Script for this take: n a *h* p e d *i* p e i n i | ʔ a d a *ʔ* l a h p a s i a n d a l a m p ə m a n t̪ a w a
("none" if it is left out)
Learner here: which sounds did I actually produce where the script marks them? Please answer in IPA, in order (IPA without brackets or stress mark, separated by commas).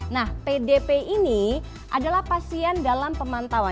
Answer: h, e, none